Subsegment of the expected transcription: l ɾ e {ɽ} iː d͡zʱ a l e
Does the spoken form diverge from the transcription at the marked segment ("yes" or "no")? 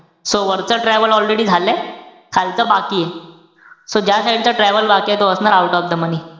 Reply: no